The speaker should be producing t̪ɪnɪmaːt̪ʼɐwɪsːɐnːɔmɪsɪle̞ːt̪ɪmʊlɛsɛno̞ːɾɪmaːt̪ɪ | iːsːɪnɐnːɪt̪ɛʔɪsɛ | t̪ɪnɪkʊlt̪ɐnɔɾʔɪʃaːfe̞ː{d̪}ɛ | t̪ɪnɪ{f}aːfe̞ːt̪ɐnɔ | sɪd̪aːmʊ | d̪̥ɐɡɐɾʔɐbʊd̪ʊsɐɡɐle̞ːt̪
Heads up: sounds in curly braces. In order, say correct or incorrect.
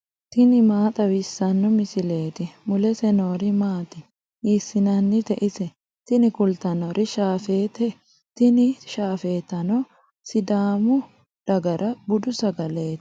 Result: incorrect: t̪, incorrect: ʃ

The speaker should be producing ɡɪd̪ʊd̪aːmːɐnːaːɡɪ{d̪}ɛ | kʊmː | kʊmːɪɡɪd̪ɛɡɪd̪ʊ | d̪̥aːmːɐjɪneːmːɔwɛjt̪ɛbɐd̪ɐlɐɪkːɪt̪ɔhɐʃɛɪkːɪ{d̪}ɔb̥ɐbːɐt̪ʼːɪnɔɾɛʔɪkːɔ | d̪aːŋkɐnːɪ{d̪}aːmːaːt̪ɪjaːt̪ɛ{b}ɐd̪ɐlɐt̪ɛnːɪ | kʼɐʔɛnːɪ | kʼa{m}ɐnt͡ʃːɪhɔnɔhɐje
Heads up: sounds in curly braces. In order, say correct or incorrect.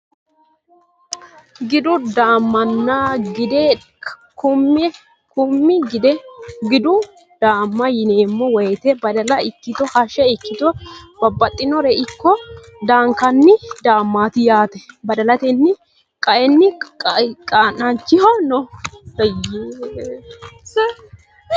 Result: correct, incorrect: t̪, correct, correct, incorrect: n

